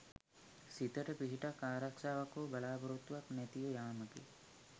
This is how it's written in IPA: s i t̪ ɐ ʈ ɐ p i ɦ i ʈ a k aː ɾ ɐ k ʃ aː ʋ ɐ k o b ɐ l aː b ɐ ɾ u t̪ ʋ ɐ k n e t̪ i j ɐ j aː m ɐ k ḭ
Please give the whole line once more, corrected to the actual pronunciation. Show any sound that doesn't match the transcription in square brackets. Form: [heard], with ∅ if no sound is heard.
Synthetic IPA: s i t̪ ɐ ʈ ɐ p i ɦ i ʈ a k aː ɾ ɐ k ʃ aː ʋ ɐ k o b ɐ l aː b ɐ ɾ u t̪ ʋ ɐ k n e t̪ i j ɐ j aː m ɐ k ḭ

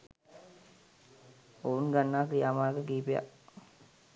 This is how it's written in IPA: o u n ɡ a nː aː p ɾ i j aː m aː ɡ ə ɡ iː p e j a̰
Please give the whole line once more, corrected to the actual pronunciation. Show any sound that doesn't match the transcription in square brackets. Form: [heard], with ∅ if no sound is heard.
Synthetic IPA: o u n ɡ a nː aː [k] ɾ i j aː m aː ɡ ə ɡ iː p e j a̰

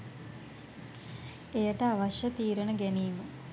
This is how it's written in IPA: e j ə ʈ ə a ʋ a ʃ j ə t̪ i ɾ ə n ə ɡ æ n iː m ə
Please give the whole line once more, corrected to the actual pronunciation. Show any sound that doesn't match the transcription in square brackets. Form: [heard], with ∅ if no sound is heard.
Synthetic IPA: e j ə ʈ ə a ʋ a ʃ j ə t̪ [iː] ɾ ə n ə ɡ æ n iː m ə

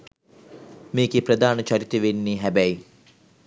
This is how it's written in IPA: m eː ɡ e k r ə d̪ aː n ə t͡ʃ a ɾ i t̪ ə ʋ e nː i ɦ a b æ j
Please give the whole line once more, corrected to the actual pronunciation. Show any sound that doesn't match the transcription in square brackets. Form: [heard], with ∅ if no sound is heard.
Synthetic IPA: m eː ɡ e [p] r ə d̪ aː n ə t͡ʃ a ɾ i t̪ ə ʋ e nː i ɦ [æ] b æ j

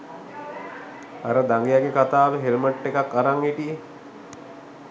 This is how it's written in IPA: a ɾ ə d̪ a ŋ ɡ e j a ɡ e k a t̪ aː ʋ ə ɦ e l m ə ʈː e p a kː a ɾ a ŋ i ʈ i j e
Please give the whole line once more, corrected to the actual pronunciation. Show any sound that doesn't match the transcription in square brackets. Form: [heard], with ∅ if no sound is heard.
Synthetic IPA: a ɾ ə d̪ a ŋ ɡ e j a ɡ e k a t̪ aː ʋ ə ɦ e l m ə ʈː e [k] a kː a ɾ a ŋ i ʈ i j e

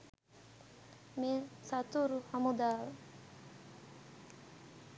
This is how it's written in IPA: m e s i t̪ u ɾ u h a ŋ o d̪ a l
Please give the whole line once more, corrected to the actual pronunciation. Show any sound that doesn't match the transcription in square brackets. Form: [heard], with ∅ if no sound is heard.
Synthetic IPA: m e s [a] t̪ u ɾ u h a [m] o d̪ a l

